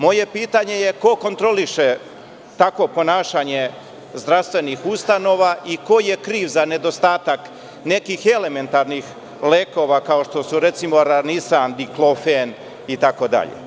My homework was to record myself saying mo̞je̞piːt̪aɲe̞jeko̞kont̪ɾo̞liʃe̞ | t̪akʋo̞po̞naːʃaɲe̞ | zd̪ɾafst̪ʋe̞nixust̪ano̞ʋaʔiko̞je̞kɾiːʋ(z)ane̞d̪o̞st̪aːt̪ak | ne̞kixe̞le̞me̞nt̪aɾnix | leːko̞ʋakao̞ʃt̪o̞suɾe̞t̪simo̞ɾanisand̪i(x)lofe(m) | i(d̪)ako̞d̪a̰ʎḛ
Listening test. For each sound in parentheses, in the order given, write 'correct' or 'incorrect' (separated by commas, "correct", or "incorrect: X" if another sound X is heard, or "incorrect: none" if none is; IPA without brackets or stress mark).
correct, incorrect: k, incorrect: n, incorrect: t̪